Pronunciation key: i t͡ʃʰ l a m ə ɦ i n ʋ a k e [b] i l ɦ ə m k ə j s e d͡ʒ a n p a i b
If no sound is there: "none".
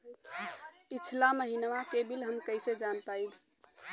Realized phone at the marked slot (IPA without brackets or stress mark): b